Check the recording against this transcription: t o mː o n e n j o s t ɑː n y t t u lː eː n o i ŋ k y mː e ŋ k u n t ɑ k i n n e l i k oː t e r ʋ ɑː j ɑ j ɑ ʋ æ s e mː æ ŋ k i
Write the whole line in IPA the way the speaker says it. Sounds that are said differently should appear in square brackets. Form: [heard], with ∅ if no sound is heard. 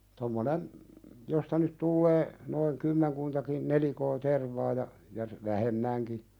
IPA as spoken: t o mː o n e n j o s t [ɑ] n y t t u lː eː n o i ŋ k y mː e ŋ k u n t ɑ k i n n e l i k oː t e r ʋ ɑː j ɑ j ɑ ʋ æ [h] e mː æ ŋ k i